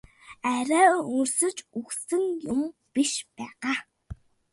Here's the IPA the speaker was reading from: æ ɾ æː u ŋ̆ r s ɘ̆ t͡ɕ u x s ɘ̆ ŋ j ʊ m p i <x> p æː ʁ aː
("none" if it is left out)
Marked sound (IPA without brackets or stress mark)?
ʃ